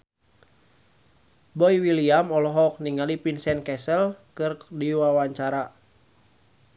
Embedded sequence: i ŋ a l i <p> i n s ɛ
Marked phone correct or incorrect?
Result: correct